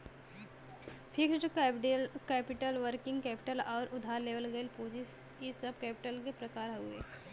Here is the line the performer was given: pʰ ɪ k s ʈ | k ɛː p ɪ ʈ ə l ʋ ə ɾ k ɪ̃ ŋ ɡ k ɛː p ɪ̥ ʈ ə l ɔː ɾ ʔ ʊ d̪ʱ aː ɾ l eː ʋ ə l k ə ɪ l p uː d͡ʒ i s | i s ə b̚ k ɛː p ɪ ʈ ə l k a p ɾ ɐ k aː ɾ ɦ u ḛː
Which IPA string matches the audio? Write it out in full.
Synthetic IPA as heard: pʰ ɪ k s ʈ | k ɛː p ɪ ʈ ə l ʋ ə ɾ k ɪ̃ ŋ ɡ k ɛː p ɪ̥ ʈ ə l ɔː ɾ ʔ ʊ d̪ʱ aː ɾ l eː ʋ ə l ɡ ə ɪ l p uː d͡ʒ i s | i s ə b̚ k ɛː p ɪ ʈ ə l k e p ɾ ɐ k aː ɾ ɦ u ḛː